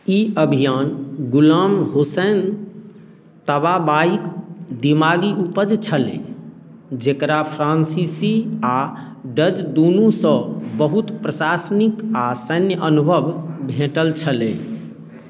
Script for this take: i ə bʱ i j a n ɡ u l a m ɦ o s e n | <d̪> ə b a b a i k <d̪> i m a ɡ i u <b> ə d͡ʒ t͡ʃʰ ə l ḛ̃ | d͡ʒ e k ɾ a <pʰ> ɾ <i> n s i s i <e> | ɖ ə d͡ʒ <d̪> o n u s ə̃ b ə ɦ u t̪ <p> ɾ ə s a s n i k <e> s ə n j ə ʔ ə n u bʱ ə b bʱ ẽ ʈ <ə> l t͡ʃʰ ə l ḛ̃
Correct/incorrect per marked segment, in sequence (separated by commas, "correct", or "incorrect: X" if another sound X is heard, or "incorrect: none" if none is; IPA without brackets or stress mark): incorrect: t̪, correct, incorrect: p, correct, incorrect: a, incorrect: a, correct, correct, incorrect: a, correct